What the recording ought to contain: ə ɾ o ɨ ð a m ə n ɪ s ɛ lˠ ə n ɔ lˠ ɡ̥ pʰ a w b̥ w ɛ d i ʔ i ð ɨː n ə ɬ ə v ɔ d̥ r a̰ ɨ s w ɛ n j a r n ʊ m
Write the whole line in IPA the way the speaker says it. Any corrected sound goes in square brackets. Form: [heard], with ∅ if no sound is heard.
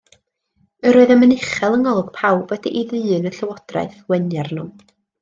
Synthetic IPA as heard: ə ɾ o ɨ ð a m ə n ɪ [χ] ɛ lˠ ə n ɔ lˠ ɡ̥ pʰ a w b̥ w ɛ d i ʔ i ð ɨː n ə ɬ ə [w] ɔ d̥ r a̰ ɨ [θ] w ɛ n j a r n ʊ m